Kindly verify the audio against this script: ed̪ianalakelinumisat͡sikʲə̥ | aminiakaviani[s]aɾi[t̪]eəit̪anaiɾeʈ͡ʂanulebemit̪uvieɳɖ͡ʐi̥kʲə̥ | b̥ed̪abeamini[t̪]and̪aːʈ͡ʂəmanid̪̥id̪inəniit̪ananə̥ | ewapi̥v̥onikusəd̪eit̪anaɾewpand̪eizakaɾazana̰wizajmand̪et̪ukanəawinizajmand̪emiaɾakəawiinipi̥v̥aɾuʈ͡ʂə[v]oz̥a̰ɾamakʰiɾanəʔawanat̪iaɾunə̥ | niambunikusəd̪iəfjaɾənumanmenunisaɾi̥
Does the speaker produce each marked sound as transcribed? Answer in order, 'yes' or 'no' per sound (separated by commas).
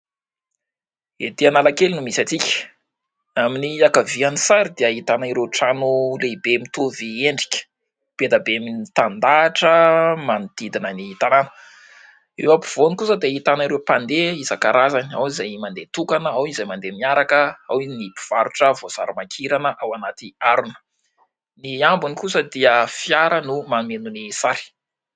yes, no, yes, yes